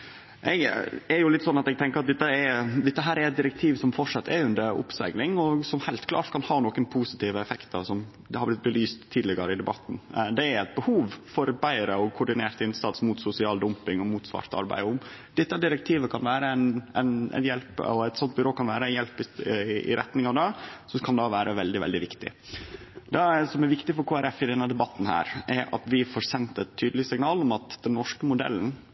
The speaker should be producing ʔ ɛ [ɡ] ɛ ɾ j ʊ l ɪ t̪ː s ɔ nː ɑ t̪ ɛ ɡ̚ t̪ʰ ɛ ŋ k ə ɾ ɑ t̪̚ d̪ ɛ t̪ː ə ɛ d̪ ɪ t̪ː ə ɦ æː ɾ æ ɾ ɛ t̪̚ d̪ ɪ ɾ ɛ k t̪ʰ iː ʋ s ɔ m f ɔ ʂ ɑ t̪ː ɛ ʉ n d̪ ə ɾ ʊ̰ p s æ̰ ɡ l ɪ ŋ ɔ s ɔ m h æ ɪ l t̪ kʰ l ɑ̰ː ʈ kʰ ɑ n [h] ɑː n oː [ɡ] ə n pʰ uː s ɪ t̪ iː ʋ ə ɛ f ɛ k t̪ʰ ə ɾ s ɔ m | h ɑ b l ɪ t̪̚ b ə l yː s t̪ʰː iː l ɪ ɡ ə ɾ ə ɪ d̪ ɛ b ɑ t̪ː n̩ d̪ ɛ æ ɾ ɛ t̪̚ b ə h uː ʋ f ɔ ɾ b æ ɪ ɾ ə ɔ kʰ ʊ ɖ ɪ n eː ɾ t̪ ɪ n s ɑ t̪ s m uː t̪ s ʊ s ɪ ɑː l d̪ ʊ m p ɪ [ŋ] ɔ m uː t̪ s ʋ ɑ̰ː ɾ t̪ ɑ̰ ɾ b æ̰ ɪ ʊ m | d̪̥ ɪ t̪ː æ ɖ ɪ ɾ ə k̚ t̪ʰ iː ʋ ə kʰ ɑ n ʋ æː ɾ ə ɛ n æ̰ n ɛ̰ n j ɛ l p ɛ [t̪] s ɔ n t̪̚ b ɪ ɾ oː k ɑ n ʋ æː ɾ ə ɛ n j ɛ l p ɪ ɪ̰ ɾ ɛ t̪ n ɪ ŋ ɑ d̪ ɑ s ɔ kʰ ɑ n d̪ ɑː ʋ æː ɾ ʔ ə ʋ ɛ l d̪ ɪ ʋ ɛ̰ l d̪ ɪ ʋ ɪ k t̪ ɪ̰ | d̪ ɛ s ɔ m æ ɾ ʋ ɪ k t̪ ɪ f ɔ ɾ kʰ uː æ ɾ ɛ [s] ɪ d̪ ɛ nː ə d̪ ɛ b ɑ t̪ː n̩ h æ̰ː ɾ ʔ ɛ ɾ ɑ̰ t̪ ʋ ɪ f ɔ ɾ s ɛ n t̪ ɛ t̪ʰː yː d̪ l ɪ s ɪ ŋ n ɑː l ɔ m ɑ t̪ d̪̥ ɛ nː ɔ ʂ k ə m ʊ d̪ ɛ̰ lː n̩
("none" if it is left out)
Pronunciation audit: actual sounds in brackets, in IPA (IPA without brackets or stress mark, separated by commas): ɡ, h, k, ŋ, t̪, f